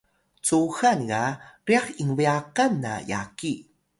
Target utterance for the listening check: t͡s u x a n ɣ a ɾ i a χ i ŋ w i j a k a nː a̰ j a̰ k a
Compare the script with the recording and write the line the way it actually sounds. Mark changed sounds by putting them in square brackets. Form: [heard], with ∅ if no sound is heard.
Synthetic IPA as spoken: t͡s u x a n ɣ a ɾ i a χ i ŋ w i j a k a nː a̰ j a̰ k [i]